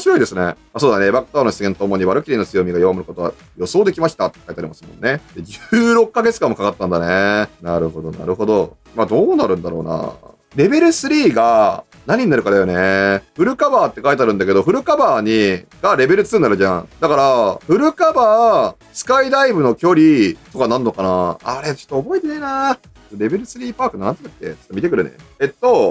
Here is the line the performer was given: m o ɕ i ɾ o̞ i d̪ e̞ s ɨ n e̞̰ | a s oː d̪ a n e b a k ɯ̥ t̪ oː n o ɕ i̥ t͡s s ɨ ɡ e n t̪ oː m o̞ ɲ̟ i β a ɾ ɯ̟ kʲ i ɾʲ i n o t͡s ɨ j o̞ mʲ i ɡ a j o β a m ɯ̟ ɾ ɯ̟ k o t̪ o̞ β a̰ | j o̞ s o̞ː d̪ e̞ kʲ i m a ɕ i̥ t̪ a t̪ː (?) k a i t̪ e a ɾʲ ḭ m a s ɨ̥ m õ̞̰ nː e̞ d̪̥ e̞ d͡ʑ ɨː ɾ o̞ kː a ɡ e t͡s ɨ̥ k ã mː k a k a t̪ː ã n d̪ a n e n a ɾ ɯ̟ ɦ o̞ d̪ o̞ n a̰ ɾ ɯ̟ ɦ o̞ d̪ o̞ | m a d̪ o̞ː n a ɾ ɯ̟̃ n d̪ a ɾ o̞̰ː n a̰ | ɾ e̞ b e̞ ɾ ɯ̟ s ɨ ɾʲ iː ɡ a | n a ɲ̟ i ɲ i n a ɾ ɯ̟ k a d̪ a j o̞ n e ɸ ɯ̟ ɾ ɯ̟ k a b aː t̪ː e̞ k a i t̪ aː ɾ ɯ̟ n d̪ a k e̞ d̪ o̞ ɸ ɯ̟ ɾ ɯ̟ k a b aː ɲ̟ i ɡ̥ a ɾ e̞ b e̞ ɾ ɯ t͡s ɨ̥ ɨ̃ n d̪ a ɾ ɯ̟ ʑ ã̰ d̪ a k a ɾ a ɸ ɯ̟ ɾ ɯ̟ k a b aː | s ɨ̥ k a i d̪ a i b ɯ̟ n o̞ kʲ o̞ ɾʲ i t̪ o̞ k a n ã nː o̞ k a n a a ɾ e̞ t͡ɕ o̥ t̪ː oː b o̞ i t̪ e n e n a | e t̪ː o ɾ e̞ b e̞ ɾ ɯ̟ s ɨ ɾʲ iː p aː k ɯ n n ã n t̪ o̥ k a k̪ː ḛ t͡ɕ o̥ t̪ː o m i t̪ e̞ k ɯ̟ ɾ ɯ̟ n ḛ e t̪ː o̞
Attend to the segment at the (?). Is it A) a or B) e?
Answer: B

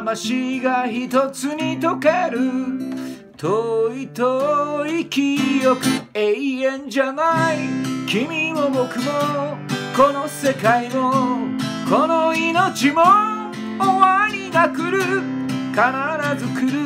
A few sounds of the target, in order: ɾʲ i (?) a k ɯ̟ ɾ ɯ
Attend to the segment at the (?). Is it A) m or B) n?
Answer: B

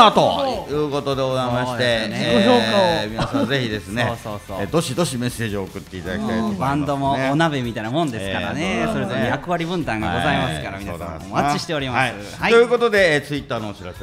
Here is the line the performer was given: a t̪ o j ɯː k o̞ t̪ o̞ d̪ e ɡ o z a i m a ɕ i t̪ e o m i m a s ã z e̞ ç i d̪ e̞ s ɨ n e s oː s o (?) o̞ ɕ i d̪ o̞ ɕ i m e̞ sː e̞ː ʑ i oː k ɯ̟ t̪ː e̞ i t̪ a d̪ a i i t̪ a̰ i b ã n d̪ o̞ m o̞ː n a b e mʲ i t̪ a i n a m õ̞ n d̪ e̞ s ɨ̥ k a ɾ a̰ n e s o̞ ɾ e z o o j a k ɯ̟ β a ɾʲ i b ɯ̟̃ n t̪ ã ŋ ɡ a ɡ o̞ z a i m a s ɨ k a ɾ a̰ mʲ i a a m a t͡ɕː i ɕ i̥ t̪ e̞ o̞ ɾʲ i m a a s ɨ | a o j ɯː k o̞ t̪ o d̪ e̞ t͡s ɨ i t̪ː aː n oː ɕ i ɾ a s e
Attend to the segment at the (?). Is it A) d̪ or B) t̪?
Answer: A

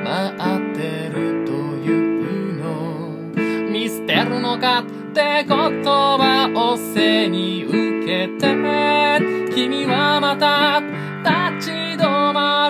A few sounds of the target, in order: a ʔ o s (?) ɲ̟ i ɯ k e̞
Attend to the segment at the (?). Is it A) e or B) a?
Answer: A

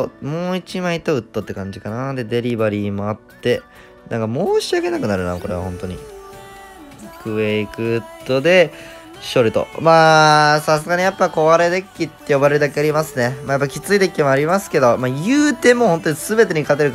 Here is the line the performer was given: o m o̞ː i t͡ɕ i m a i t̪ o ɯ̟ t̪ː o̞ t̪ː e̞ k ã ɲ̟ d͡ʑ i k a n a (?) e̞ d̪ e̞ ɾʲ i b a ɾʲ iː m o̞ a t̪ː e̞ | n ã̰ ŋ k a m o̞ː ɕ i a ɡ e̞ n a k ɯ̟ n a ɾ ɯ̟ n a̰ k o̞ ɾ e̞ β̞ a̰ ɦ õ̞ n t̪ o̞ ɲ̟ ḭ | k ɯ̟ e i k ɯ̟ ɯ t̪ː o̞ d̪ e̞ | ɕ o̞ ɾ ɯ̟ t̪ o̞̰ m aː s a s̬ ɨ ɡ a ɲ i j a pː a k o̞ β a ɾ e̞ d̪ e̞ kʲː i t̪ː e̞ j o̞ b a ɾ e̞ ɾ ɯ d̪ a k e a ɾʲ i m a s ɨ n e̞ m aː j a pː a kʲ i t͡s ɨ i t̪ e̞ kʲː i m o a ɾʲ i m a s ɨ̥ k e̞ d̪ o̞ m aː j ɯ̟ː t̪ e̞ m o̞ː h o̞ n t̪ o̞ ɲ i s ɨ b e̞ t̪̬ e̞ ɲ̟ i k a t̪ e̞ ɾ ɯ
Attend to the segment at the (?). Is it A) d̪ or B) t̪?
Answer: A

